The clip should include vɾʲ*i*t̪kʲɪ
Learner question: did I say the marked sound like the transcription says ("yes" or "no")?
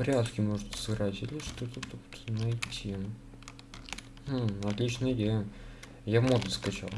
no